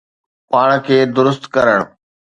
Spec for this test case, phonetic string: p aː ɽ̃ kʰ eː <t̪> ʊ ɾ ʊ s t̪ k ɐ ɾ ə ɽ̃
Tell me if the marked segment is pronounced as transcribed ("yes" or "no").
no